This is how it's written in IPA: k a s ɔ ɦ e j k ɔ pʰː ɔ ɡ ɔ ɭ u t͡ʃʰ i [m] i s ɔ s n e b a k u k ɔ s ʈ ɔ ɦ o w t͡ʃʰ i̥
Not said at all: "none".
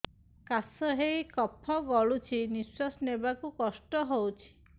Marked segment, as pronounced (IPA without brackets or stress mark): n